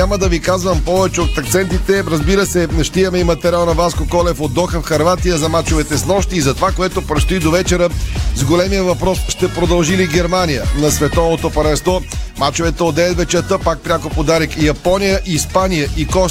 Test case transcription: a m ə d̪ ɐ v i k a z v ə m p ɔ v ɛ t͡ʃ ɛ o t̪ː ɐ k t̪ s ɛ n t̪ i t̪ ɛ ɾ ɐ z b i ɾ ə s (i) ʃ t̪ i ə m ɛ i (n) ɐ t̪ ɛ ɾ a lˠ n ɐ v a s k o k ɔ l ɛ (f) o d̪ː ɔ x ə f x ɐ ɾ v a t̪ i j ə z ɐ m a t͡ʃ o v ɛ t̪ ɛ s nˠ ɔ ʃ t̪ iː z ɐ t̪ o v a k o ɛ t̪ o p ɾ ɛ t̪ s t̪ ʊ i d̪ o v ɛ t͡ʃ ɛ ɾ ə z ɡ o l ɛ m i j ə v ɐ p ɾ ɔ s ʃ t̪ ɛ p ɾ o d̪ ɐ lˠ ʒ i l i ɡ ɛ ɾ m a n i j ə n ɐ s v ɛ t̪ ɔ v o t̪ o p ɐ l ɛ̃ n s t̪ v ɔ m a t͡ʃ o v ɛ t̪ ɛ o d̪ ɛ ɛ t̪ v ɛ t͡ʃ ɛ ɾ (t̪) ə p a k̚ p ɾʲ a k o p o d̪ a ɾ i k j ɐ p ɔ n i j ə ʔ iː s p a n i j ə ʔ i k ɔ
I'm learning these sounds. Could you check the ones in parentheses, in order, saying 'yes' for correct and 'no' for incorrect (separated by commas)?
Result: no, no, yes, yes